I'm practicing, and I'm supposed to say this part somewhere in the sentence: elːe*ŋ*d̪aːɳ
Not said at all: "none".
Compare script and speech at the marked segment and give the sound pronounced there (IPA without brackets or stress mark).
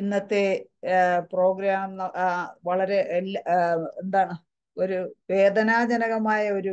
n